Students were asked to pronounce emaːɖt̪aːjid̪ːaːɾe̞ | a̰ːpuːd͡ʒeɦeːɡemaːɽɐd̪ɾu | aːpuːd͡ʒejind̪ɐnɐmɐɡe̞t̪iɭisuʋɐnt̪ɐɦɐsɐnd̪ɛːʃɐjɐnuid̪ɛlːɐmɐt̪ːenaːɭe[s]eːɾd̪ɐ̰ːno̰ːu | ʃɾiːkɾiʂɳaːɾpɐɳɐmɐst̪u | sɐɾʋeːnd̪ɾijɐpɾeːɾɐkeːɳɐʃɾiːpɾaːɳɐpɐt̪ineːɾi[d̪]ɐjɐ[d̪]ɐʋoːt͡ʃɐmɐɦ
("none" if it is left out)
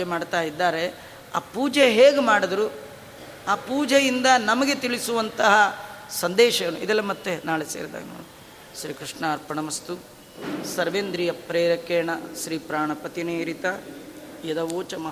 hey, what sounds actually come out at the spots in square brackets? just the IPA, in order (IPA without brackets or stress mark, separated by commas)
s, t̪, d̪